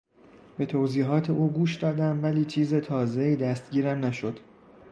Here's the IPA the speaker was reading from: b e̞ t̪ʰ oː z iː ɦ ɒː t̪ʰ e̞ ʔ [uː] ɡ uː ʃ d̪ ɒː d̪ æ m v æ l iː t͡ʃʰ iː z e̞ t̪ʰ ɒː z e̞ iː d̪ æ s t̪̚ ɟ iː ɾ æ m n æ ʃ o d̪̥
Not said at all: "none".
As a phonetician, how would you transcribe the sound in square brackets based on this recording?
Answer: uː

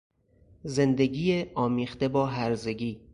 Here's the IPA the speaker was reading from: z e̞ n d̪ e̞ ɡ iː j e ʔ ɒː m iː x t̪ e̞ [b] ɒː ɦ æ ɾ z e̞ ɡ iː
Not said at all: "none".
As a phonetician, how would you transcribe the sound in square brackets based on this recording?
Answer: b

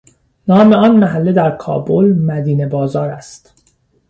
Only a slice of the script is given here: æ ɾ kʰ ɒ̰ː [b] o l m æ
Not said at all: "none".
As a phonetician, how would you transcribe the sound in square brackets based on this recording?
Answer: b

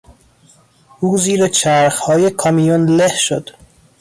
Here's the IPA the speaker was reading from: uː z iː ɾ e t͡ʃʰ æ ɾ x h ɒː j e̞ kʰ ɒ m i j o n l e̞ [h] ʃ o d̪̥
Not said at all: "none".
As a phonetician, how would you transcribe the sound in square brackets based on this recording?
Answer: h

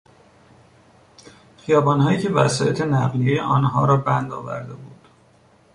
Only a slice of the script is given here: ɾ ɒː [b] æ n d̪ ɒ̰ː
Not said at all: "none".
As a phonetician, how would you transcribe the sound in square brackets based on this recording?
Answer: b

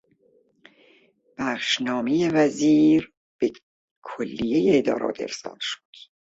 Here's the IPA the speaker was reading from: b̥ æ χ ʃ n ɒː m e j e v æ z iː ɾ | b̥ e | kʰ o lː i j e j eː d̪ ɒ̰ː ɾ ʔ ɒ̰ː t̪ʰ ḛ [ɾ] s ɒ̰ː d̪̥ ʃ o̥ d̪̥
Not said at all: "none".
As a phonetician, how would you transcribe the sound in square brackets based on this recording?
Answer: ɾ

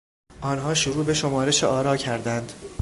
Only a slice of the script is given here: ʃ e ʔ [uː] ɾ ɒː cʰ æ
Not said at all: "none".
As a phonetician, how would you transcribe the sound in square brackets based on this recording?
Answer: ɒː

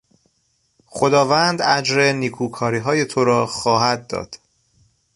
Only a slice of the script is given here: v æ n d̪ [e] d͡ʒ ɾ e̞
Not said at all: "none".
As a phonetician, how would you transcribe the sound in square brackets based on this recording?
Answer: æ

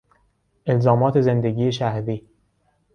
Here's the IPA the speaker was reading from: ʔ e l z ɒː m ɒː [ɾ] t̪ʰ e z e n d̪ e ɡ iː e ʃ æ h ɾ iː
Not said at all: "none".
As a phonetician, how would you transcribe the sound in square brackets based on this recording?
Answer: none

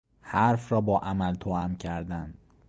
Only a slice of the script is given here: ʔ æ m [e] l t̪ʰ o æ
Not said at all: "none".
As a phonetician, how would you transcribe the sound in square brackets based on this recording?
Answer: æ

